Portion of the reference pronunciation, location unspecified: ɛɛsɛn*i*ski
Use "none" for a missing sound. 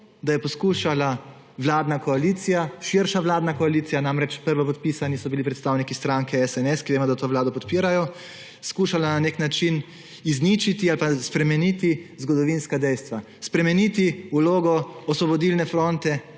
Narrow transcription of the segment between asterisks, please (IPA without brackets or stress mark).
ɛ